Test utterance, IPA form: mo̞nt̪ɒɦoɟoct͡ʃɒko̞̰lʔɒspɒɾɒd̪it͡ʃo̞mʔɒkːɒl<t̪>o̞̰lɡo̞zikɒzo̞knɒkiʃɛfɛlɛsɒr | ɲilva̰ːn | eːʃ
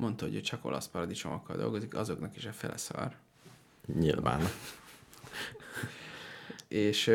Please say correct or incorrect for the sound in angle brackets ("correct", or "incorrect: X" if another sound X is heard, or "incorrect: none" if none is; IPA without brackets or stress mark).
incorrect: d̪